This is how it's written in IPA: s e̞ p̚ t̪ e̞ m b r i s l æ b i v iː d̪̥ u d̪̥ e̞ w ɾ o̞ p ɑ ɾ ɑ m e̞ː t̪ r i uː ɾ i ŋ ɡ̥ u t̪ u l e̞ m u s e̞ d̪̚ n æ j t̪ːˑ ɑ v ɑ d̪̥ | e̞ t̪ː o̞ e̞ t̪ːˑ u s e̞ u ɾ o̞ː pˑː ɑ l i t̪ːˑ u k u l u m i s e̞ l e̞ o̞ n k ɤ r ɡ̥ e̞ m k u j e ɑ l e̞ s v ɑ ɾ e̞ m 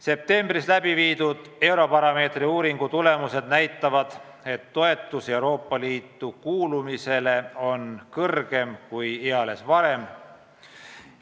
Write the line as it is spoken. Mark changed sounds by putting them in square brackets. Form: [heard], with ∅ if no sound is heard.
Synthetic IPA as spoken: s e̞ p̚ t̪ e̞ m b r i s l æ b i v iː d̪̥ u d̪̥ e̞ w ɾ o̞ p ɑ ɾ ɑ m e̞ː t̪ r i uː ɾ i ŋ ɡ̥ u t̪ u l e̞ m u s e̞ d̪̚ n æ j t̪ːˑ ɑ v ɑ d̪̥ | e̞ t̪ː o̞ e̞ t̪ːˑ u s e̞ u ɾ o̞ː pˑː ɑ l [iː] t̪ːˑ u k [uː] l u m i s e̞ l e̞ o̞ n k ɤ r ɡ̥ e̞ m k u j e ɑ l e̞ s v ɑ ɾ e̞ m